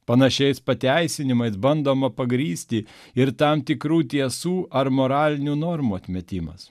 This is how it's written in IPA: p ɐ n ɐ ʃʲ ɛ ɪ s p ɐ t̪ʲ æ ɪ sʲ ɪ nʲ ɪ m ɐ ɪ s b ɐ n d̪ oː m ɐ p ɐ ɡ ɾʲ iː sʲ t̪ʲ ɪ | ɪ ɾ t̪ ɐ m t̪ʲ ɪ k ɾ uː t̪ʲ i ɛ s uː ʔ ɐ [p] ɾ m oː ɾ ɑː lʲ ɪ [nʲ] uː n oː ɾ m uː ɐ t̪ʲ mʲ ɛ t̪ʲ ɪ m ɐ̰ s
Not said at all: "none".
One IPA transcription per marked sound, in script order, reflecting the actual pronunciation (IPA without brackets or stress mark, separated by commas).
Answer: none, nʲ